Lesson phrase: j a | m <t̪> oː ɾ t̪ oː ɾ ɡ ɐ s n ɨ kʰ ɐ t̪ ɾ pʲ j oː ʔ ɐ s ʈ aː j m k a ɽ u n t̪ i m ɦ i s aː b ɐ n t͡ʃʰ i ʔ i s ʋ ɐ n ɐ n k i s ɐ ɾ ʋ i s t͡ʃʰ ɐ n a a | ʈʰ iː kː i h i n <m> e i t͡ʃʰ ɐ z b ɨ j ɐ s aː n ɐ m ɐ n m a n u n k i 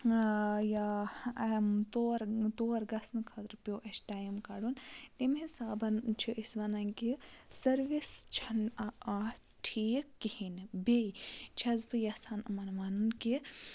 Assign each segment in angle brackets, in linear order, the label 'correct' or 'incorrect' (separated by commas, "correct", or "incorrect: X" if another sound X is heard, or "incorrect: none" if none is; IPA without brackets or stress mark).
correct, incorrect: b